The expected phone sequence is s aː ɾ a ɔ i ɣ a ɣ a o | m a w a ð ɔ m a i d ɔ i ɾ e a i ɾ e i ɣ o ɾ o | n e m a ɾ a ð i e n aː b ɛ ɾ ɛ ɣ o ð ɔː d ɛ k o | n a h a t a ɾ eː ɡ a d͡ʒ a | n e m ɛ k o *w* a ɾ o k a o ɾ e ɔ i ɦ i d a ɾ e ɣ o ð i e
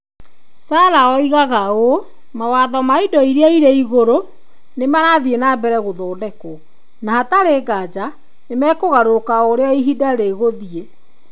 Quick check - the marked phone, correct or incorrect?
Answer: incorrect: ɣ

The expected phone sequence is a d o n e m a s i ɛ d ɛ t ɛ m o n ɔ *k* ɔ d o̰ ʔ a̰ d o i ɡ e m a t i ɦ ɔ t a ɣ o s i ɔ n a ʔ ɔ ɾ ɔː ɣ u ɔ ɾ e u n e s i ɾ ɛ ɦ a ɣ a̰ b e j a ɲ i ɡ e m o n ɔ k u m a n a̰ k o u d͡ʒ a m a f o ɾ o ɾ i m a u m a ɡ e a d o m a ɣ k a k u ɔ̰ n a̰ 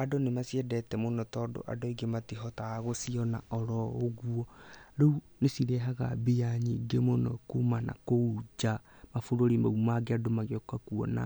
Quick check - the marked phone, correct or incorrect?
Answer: incorrect: t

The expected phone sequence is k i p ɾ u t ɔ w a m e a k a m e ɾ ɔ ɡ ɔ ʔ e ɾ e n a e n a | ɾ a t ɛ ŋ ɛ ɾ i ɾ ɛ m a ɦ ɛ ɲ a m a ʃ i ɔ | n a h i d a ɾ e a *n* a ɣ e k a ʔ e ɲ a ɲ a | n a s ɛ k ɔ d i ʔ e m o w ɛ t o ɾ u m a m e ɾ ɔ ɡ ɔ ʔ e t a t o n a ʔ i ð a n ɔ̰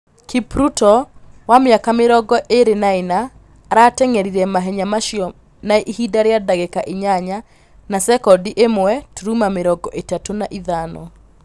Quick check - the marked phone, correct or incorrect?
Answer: incorrect: d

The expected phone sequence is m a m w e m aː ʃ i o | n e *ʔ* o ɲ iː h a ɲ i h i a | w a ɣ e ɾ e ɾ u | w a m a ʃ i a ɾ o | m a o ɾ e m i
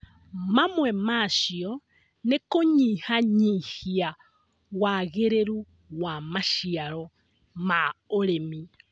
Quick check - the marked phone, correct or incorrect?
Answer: incorrect: k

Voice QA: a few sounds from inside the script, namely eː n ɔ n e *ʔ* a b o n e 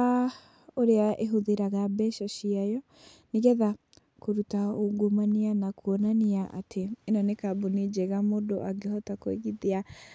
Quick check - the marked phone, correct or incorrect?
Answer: incorrect: k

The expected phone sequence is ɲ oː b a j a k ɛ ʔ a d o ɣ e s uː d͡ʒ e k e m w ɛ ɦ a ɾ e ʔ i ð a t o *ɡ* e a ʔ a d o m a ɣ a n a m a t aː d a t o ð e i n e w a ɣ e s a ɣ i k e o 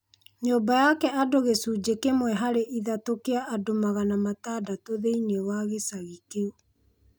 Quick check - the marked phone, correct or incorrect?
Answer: incorrect: k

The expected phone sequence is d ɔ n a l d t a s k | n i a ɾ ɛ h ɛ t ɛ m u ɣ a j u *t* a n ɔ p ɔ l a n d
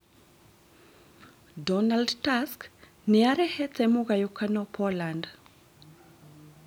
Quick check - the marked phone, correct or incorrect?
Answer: incorrect: k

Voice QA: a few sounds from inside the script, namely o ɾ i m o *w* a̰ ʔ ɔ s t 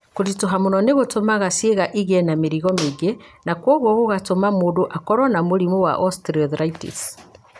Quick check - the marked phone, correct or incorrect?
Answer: correct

